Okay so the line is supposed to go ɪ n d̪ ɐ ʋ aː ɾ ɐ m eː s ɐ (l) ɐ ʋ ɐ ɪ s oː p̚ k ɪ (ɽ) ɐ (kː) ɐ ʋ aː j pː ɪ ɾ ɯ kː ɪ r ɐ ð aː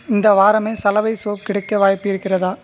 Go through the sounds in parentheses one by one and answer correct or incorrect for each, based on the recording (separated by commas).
correct, correct, correct